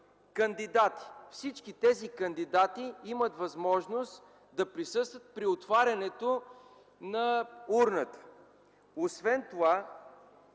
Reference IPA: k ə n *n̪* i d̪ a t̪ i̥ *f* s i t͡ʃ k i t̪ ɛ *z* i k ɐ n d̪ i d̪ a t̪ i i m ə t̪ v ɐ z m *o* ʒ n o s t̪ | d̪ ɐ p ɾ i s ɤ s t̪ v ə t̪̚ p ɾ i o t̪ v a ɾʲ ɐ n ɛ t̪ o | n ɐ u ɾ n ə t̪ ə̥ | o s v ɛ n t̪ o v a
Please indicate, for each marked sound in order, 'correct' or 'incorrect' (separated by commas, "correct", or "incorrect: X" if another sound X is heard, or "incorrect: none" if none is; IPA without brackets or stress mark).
incorrect: d̪, correct, correct, incorrect: ɔ